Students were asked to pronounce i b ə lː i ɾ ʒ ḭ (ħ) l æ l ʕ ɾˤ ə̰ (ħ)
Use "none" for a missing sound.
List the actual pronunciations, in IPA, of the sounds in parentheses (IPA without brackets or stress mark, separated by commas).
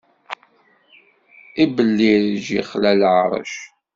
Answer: χ, ʃ